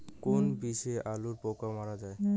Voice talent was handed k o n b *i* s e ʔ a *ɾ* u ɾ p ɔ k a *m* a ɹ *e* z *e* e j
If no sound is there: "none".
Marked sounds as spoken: i, l, m, a, a

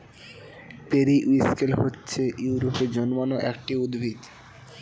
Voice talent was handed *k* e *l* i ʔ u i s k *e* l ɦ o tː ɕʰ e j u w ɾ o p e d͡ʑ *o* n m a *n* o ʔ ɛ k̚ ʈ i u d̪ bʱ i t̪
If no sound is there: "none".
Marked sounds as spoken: p, ɾ, e, ɔ, n

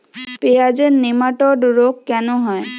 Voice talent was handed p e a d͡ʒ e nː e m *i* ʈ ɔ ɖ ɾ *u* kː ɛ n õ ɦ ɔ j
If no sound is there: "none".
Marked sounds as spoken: a, o

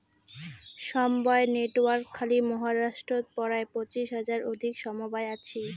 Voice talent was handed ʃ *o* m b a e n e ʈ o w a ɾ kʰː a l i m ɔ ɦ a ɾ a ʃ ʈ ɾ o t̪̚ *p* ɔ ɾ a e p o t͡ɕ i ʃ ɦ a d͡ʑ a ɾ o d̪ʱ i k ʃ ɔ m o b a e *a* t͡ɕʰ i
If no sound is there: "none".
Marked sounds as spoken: ɔ, p, a

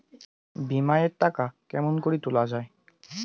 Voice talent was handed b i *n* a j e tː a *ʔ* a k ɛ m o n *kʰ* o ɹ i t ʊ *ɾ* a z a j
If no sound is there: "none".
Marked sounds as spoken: m, k, k, l

